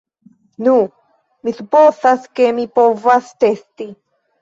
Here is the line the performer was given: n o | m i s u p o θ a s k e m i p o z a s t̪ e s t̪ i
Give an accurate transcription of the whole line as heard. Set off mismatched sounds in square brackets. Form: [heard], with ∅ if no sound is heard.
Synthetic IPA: n [u] | m i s u p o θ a s k e m i p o [v] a s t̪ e s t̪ i